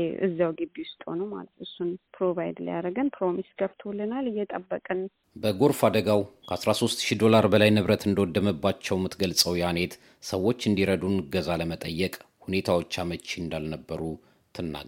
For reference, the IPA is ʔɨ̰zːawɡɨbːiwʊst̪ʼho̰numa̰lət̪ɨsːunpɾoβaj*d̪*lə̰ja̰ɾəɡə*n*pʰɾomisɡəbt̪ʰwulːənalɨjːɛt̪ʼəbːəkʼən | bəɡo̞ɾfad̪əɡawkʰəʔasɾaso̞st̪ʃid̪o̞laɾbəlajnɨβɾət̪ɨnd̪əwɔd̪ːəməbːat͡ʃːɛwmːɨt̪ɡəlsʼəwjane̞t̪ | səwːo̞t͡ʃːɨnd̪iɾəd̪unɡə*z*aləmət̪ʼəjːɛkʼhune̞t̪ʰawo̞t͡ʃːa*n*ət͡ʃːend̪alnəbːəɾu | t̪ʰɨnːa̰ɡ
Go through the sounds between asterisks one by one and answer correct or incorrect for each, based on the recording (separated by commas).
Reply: correct, correct, correct, incorrect